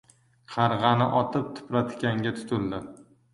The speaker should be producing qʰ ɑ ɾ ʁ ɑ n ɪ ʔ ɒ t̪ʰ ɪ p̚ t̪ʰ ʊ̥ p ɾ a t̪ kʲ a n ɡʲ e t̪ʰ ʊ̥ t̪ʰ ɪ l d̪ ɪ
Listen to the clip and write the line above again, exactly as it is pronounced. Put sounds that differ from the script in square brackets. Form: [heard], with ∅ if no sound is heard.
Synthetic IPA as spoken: qʰ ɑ ɾ ʁ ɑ n ɪ ʔ ɒ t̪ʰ ɪ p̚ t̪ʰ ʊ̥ p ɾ a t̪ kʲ a [ŋ] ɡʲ [a] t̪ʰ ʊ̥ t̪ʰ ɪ l d̪ ɪ

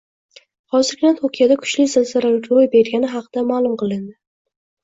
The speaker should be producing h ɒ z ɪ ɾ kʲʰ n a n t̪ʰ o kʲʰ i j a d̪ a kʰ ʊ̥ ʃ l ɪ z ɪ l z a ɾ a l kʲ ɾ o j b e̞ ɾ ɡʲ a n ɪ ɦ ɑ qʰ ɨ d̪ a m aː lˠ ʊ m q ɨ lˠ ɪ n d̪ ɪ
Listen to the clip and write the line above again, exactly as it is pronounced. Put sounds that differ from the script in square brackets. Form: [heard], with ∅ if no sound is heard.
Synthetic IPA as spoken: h ɒ z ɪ ɾ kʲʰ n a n t̪ʰ o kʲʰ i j a d̪ a kʰ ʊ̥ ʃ l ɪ z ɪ l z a ɾ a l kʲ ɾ o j b e̞ ɾ ɡʲ a n ɪ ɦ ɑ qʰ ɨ d̪ a m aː lˠ ʊ m q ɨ lˠ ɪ n d̪ ɪ

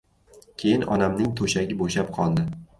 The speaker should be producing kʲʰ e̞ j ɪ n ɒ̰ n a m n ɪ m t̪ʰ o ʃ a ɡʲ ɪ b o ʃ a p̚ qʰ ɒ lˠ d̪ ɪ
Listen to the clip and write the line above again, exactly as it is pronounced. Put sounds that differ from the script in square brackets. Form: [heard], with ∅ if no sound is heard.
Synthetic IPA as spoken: kʲʰ e̞ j ɪ n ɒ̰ n a m n ɪ [ŋ] t̪ʰ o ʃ a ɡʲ ɪ b o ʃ a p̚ qʰ ɒ lˠ d̪ ɪ

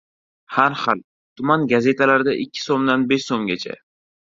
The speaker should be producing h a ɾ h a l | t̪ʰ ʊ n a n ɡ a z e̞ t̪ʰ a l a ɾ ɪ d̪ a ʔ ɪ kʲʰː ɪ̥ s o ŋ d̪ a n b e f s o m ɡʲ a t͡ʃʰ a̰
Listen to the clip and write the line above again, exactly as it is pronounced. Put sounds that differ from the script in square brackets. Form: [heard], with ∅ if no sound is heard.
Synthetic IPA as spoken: h a ɾ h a l | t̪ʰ ʊ [m] a n ɡ a z e̞ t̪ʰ a l a ɾ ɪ d̪ a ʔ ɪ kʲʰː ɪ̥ s o [m] d̪ a n b e [ʃ] s o m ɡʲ a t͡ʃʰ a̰

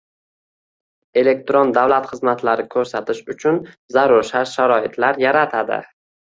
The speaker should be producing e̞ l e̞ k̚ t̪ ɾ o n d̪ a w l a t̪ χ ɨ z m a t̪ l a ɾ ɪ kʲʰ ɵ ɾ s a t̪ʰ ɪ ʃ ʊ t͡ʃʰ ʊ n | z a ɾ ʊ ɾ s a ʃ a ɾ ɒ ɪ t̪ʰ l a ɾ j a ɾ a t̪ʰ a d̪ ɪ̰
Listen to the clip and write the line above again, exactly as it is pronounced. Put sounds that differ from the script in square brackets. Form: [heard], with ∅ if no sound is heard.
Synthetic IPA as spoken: e̞ l e̞ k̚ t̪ ɾ o n d̪ a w l a t̪ χ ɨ z m a t̪ l a ɾ ɪ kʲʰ ɵ ɾ s a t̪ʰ ɪ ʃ ʊ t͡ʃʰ ʊ n | z a ɾ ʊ ɾ [ʃ] a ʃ a ɾ ɒ ɪ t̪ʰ l a ɾ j a ɾ a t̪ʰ a d̪ ɪ̰

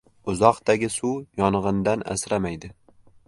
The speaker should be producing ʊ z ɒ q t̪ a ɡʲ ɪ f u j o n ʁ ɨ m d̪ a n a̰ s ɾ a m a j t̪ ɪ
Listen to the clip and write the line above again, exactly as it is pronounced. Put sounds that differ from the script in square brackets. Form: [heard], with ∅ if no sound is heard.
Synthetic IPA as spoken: ʊ z ɒ q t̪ a ɡʲ ɪ [s] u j [ɒ] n ʁ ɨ [n] d̪ a n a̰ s ɾ a m a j [d̪] ɪ

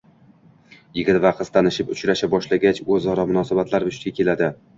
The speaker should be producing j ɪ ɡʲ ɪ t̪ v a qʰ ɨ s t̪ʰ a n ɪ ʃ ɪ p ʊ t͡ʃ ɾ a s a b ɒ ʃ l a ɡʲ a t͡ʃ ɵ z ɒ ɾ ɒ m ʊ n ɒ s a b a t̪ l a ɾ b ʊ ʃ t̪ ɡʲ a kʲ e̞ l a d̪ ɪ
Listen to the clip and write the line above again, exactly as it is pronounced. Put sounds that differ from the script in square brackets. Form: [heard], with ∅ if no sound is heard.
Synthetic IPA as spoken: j ɪ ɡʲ ɪ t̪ v a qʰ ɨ s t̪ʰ a n ɪ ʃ ɪ p ʊ t͡ʃ ɾ a [ʃ] a b ɒ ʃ l a ɡʲ a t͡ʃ ɵ z ɒ ɾ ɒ m ʊ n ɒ s a b a t̪ l a ɾ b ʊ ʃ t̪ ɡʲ a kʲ e̞ l a d̪ ɪ

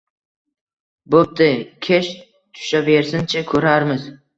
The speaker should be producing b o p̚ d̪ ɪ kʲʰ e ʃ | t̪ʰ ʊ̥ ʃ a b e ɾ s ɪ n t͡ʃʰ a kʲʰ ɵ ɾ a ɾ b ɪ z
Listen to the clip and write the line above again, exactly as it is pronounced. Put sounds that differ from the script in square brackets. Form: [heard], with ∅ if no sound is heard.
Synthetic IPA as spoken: b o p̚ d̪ ɪ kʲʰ e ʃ | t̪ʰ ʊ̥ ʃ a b e ɾ s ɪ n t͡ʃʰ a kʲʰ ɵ ɾ a ɾ [m] ɪ z

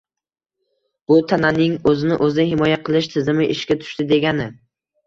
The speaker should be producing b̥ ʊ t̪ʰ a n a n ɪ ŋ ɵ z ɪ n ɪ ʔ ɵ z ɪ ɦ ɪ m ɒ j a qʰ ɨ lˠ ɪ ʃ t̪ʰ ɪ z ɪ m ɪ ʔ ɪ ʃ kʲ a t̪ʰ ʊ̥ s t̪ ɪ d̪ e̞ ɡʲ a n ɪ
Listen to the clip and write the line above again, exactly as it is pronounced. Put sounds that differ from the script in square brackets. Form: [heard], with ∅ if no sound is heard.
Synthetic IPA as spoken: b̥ ʊ t̪ʰ a n a n ɪ ŋ ɵ z ɪ n ɪ ʔ ɵ z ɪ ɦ ɪ m ɒ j a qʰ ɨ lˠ ɪ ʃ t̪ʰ ɪ z ɪ m ɪ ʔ ɪ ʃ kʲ a t̪ʰ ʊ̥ [ʃ] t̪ ɪ d̪ e̞ ɡʲ a n ɪ

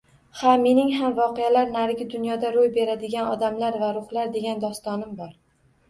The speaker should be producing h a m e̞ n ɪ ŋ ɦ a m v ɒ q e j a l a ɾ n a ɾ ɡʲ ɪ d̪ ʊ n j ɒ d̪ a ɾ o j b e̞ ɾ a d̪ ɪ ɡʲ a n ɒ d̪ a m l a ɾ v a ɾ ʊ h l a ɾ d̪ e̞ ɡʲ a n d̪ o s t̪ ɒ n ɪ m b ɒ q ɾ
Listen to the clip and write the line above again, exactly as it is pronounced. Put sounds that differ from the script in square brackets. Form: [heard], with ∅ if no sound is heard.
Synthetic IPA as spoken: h a m e̞ n ɪ ŋ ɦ a m v ɒ q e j a l a ɾ n a ɾ ɡʲ ɪ d̪ ʊ n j ɒ d̪ a ɾ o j b e̞ ɾ a d̪ ɪ ɡʲ a n ɒ d̪ a m l a ɾ v a ɾ ʊ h l a ɾ d̪ e̞ ɡʲ a n d̪ [ɒ] s t̪ ɒ n ɪ m b ɒ [∅] ɾ

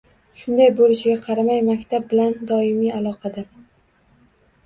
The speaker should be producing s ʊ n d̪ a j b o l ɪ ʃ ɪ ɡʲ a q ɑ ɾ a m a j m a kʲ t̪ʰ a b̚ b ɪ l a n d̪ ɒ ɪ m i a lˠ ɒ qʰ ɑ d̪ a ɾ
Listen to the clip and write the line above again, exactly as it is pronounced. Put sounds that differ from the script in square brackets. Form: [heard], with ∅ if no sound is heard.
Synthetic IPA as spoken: [ʃ] ʊ n d̪ a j b o l ɪ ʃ ɪ ɡʲ a [qʰ] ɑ ɾ a m a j m a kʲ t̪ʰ a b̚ b ɪ l a n d̪ ɒ ɪ m i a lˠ ɒ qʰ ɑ d̪ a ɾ

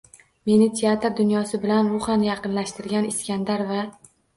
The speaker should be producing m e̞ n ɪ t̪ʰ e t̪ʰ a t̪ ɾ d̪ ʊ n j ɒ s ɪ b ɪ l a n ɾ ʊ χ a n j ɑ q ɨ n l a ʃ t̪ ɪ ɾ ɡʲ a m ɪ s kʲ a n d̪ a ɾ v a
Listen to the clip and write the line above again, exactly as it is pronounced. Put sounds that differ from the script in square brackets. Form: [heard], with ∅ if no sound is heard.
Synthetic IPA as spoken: m e̞ n ɪ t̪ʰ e [∅] a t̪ ɾ d̪ ʊ n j ɒ s ɪ b ɪ l a n ɾ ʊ χ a n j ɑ q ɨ n l a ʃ t̪ ɪ ɾ ɡʲ a [n] ɪ s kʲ a n d̪ a ɾ v a

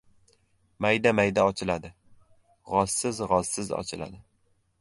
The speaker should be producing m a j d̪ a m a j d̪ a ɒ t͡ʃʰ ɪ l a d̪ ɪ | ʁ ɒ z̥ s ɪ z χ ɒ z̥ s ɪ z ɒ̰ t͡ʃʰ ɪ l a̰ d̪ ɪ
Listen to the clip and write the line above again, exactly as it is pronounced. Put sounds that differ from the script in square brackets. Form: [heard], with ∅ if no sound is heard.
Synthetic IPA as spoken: m a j d̪ a m a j d̪ a ɒ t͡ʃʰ ɪ l a d̪ ɪ | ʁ ɒ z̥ s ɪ z [ʁ] ɒ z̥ s ɪ z ɒ̰ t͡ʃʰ ɪ l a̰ d̪ ɪ

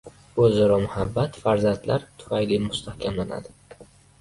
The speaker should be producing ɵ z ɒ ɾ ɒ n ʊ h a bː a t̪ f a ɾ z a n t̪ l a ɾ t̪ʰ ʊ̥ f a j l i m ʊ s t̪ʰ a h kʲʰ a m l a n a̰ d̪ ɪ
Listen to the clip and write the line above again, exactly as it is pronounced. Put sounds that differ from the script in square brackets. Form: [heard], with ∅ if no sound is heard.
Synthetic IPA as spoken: ɵ z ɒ ɾ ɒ [m] ʊ h a bː a t̪ f a ɾ z a n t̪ l a ɾ t̪ʰ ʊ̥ f a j l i m ʊ s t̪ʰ a h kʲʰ a m l a n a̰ d̪ ɪ

